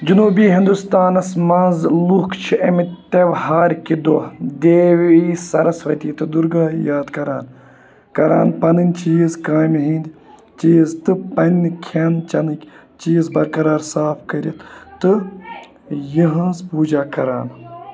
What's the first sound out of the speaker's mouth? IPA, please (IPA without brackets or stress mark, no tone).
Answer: d͡ʒ